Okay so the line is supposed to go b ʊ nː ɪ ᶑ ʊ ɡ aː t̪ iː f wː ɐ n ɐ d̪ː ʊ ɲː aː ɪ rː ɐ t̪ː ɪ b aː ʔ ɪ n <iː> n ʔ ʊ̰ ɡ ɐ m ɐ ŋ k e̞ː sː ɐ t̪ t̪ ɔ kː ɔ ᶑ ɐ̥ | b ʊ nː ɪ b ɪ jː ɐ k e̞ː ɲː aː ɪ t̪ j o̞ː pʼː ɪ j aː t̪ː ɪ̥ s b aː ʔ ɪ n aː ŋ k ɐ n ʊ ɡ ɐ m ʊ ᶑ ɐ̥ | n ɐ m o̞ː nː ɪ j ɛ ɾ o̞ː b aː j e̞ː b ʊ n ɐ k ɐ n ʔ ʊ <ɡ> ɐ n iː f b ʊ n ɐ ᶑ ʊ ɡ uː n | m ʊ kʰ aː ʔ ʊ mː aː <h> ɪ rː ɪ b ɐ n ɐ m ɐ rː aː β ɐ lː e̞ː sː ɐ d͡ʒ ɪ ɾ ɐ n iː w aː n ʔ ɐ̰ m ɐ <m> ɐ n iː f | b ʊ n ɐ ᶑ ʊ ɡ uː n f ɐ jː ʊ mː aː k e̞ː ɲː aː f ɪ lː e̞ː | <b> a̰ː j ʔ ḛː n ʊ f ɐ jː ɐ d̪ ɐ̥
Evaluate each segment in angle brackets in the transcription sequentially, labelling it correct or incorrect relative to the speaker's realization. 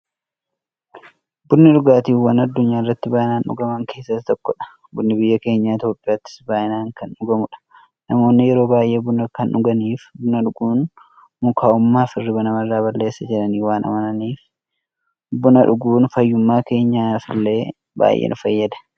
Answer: incorrect: aː, correct, incorrect: f, incorrect: n, correct

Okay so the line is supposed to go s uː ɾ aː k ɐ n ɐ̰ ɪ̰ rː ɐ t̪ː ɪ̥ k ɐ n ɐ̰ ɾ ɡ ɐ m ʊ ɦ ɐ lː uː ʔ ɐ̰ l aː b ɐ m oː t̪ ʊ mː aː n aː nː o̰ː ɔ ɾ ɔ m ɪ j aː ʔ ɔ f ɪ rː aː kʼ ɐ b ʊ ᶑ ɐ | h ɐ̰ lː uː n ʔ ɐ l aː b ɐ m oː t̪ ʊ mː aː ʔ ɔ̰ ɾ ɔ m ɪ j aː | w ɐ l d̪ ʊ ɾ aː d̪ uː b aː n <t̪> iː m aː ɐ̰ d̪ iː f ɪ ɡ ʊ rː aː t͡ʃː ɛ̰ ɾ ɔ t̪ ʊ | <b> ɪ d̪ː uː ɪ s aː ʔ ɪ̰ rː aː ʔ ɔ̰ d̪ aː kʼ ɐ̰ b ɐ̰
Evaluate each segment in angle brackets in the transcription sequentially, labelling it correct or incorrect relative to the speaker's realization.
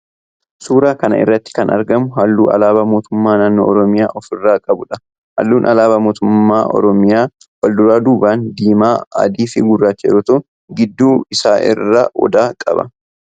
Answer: incorrect: d̪, incorrect: ɡ

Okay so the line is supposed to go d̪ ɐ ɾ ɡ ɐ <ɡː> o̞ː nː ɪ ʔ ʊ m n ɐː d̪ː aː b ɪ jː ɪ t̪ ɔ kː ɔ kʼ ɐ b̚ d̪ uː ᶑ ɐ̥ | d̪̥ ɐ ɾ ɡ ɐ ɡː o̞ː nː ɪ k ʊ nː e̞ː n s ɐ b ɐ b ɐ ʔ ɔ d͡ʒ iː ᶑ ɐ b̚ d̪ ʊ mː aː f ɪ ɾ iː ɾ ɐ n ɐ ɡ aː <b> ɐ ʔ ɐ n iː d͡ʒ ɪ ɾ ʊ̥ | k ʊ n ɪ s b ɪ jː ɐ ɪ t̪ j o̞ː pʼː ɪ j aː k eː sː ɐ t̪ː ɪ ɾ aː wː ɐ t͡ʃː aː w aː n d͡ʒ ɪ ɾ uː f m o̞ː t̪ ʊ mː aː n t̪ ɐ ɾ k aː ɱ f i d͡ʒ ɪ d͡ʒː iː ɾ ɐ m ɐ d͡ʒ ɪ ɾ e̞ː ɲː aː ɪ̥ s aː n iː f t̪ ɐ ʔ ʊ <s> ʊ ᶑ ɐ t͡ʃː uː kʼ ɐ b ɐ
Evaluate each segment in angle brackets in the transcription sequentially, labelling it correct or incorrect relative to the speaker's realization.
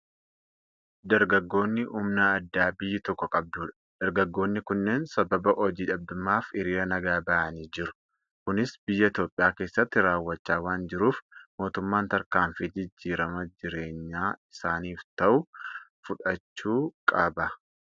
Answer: correct, correct, incorrect: f

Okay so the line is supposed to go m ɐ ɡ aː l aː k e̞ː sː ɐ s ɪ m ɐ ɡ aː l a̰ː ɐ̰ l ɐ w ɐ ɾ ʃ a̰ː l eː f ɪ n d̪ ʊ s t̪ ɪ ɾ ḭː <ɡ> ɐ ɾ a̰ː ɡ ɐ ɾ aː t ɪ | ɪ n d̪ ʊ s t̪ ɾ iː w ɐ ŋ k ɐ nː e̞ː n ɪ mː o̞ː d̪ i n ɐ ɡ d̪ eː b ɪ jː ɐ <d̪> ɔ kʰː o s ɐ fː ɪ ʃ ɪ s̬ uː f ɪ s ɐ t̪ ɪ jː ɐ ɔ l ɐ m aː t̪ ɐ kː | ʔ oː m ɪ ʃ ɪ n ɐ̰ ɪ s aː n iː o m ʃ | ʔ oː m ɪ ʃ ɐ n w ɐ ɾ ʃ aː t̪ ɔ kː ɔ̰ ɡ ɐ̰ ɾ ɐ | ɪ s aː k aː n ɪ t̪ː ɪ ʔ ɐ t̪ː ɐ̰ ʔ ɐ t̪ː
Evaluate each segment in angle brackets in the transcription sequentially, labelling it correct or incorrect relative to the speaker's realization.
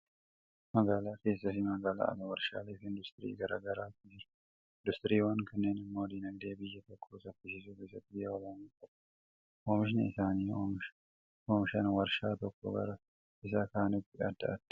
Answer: correct, incorrect: t̪

